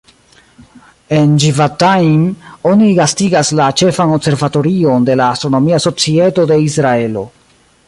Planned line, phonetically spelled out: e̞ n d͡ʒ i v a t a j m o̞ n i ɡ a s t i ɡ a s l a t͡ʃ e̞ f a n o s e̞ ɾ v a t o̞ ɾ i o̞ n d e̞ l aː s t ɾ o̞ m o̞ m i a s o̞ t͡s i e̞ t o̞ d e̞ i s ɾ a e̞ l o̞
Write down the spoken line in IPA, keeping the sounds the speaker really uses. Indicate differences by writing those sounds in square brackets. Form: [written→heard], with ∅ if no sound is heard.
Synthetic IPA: e̞ n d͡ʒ i v a t a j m o̞ n i ɡ a s t i ɡ a s l a t͡ʃ e̞ f a n o s e̞ ɾ v a t o̞ ɾ i o̞ n d e̞ l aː s t ɾ o̞ [m→n] o̞ m i a s o̞ t͡s i e̞ t o̞ d e̞ i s ɾ a e̞ l o̞